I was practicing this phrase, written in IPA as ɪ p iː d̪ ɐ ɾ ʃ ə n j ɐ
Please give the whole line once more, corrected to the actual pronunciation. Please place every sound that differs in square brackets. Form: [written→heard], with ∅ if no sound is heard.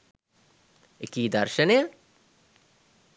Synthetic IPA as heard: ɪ [p→k] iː d̪ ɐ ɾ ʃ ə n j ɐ